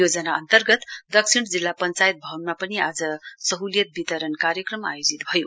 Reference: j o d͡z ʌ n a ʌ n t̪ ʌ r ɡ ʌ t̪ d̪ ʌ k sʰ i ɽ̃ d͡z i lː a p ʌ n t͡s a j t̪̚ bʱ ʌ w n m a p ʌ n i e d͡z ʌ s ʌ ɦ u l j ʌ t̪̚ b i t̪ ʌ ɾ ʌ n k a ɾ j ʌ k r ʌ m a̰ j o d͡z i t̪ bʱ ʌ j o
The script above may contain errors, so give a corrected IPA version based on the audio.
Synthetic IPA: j o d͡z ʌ n a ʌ n t̪ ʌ r ɡ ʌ t̪ d̪ ʌ k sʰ i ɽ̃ d͡z i lː a p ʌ n t͡s a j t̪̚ bʱ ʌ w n m a p ʌ n i a d͡z ʌ s ʌ ɦ u l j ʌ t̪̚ b i t̪ ʌ ɾ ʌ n k a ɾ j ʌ k r ʌ m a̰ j o d͡z i t̪ bʱ ʌ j o